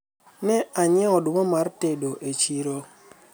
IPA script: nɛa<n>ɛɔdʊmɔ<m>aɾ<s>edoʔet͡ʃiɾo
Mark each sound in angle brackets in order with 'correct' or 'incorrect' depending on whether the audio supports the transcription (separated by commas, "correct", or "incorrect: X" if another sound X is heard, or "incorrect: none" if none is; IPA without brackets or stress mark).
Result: incorrect: ɲ, correct, incorrect: t